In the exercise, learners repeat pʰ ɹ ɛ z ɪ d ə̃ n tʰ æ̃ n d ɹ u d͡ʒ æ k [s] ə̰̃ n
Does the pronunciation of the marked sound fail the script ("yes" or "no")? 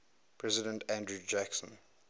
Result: no